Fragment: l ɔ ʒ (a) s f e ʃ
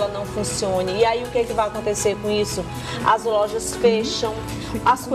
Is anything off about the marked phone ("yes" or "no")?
yes